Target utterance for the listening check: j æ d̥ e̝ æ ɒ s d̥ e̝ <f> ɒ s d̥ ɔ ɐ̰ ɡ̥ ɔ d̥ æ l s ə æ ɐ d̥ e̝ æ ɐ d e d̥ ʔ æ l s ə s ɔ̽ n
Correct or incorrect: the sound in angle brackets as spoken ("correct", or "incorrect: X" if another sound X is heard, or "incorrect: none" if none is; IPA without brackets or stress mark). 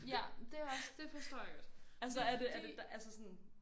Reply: correct